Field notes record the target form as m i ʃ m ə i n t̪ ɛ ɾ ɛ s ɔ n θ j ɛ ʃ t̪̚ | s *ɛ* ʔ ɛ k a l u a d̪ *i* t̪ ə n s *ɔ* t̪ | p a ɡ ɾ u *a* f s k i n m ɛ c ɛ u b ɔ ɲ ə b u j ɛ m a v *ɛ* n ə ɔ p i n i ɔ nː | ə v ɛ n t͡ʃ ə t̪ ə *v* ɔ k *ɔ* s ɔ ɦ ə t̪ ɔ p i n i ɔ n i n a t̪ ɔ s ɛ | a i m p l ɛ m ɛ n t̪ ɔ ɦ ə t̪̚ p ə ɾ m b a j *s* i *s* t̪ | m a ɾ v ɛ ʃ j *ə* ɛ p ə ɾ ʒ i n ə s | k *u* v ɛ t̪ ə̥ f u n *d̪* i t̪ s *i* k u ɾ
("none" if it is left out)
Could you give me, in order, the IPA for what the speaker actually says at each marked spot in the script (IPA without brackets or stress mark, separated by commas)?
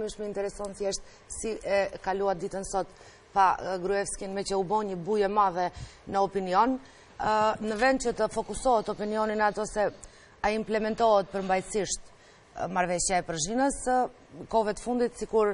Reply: i, i, ɔ, ɛ, ɛ, f, u, s, ʃ, a, ɔ, d̪, i